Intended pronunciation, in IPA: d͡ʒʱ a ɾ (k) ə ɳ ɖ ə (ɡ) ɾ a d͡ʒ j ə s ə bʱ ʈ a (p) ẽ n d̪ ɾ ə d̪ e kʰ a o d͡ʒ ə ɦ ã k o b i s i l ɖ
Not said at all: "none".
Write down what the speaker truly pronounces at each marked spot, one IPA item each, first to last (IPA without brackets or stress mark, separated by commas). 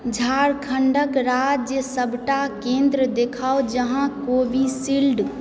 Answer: kʰ, k, k